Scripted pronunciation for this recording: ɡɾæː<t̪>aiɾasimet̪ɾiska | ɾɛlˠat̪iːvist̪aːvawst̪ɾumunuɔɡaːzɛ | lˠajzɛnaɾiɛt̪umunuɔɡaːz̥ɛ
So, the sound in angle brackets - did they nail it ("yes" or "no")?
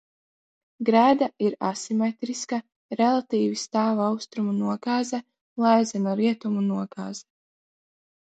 no